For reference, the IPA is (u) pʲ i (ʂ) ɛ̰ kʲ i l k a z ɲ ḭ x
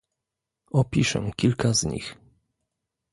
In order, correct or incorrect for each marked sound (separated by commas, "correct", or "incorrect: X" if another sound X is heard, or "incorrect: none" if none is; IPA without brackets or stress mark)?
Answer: incorrect: ɔ, correct